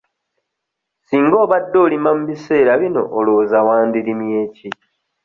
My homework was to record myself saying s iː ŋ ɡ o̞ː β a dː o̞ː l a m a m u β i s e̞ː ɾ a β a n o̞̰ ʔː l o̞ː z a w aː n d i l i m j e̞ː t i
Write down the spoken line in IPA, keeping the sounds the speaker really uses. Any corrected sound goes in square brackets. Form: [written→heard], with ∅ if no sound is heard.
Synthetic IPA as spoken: s iː ŋ ɡ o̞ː β a dː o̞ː l [a→i] m a m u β i s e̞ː ɾ a β [a→i] n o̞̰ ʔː l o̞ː z a w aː n d i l i m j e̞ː [t→c] i